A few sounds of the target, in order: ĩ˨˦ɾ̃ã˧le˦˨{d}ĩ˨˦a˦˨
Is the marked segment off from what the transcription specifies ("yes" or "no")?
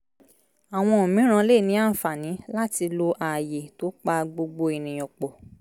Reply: yes